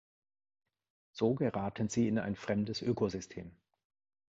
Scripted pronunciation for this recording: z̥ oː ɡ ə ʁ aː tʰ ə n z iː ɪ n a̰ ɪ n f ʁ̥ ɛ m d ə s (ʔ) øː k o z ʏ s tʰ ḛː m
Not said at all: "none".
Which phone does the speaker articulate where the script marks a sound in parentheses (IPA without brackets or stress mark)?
ʔ